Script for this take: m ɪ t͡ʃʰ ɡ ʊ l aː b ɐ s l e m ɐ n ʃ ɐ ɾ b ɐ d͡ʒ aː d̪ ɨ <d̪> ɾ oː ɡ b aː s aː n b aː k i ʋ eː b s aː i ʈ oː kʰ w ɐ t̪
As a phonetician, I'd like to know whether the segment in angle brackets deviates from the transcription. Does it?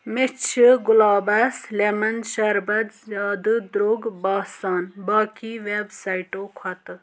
no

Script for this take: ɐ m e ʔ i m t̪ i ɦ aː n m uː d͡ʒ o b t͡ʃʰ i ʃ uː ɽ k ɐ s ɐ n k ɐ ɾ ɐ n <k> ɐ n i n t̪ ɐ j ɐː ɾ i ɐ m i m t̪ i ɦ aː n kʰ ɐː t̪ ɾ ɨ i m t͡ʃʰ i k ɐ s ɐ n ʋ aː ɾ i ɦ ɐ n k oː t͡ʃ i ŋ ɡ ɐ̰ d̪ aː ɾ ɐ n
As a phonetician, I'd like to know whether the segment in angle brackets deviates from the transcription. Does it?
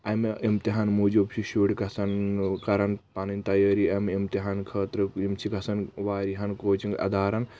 yes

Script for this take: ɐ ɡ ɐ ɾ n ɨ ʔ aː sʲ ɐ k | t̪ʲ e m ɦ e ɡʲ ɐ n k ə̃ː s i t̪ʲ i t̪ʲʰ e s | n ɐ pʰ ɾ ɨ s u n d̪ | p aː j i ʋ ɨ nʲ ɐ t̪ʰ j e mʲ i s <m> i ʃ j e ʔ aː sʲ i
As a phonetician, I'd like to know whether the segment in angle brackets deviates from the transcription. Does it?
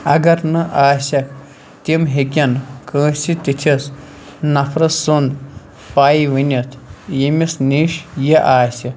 yes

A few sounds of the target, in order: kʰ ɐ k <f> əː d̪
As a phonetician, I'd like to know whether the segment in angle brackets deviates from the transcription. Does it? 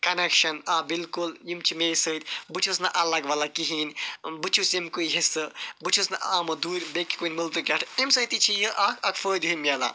no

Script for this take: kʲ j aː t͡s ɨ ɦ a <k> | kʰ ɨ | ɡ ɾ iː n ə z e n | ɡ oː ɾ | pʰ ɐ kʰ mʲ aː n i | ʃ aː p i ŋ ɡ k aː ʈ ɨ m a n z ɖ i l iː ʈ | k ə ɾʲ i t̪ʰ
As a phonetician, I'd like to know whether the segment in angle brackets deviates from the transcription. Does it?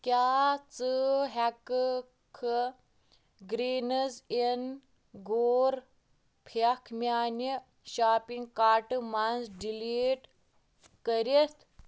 no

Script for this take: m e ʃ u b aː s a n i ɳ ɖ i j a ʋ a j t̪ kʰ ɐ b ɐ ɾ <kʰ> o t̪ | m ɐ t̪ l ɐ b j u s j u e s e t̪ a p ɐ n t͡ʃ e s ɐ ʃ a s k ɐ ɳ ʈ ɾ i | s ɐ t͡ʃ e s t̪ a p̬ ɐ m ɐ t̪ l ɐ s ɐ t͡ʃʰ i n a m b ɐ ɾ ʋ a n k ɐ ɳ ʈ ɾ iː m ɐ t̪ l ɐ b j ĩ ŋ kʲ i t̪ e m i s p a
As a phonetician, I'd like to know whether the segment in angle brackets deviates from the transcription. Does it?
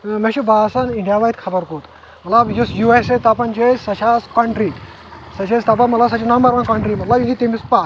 yes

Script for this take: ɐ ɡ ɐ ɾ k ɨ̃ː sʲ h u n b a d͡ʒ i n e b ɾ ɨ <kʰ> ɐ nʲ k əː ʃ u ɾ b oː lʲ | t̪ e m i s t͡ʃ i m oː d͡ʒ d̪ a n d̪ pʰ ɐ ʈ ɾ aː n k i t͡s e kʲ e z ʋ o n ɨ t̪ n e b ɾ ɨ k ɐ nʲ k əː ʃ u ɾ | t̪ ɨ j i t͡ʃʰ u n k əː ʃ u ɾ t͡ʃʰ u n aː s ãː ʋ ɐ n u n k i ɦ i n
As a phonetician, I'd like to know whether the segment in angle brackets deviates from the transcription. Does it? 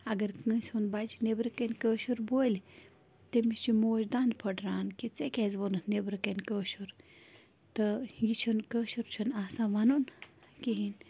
yes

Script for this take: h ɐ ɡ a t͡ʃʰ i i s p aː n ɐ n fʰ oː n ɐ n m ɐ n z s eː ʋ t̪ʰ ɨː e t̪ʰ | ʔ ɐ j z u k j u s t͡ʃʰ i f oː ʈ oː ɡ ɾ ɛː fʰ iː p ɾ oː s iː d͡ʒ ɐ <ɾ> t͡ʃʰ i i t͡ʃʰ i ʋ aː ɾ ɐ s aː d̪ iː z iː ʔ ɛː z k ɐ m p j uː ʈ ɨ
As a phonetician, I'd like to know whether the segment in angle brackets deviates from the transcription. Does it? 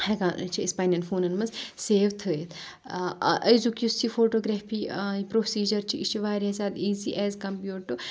no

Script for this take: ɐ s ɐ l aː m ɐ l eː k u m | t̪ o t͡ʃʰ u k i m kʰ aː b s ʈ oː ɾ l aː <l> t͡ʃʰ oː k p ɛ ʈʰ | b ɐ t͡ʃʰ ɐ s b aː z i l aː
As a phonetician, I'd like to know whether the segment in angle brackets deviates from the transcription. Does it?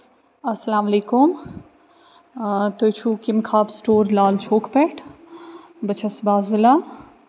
no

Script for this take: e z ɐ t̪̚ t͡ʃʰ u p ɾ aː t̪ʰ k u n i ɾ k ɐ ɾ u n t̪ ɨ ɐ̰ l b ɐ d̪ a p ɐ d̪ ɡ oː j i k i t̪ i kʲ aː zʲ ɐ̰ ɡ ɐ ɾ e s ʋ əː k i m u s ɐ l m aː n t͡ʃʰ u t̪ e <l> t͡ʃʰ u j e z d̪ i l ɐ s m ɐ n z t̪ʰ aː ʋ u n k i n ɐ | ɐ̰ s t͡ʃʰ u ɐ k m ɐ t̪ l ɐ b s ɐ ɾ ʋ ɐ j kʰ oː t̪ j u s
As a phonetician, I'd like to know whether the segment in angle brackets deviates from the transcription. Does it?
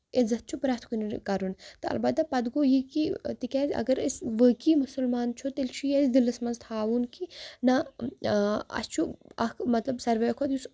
no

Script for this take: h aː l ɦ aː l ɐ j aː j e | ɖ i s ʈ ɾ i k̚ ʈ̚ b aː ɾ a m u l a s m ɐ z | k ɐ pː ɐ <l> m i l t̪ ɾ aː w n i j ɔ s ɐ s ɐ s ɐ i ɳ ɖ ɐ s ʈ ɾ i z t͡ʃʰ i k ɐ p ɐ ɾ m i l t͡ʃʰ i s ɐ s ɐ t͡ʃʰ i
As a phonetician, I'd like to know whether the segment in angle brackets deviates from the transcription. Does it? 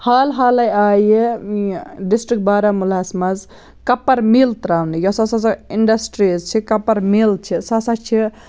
yes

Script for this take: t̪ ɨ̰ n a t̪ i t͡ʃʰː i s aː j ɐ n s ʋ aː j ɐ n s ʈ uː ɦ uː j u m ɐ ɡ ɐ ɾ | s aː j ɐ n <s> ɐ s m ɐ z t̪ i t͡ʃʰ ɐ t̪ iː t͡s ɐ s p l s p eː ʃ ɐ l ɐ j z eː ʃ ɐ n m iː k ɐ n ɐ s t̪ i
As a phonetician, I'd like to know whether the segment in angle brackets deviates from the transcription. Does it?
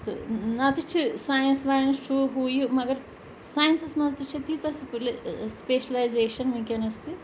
no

